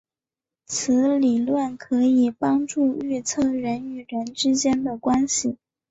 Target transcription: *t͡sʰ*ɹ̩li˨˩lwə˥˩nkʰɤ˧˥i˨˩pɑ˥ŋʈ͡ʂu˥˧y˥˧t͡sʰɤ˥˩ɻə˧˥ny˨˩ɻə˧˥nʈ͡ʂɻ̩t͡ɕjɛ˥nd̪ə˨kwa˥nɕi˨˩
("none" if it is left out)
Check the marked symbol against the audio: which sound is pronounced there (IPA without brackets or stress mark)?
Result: t͡sʰ